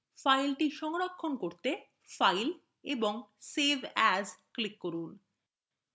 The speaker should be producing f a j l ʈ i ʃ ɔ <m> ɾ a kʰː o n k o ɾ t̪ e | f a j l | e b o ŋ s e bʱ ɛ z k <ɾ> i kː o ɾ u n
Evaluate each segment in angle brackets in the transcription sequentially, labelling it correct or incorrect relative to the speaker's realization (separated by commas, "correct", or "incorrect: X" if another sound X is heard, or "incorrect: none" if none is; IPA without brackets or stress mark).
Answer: incorrect: ŋ, incorrect: l